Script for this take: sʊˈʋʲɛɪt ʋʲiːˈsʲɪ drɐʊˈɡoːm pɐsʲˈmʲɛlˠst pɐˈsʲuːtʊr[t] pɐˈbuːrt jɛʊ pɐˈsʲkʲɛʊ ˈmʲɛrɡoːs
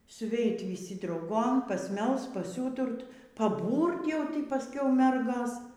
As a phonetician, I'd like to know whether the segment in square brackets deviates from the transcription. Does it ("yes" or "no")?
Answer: no